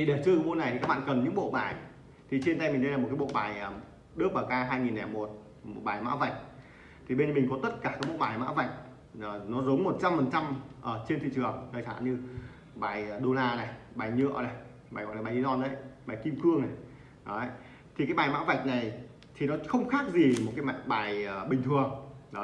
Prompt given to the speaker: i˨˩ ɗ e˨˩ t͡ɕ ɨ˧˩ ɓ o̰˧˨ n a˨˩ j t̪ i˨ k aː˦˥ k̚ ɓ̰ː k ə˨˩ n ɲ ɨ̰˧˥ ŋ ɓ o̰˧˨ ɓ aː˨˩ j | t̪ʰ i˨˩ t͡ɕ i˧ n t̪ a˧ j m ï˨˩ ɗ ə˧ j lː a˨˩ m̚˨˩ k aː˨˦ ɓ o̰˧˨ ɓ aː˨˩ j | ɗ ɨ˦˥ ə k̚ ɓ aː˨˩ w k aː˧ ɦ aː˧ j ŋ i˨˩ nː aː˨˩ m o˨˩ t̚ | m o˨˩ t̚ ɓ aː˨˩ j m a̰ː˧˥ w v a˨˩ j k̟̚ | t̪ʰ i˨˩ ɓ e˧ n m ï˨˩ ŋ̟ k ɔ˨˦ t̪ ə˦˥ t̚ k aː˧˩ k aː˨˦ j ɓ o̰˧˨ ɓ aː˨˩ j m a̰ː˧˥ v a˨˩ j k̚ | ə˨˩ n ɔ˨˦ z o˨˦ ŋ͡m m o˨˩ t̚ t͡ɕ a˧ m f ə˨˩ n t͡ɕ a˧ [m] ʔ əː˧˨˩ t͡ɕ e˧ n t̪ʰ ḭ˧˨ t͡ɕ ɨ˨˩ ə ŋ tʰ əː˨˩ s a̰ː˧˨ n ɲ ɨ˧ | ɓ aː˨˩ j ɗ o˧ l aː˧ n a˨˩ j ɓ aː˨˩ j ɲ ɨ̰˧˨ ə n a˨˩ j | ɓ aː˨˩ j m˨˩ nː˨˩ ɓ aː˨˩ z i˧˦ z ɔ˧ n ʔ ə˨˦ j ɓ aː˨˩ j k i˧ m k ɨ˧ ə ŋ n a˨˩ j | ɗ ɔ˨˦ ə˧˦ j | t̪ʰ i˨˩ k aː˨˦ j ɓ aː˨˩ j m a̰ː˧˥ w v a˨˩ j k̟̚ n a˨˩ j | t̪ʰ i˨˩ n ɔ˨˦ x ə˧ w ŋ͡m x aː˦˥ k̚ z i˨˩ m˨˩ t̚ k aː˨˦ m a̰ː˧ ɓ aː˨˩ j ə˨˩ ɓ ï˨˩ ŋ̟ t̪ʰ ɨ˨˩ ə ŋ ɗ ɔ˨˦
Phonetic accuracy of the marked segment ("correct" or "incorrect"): correct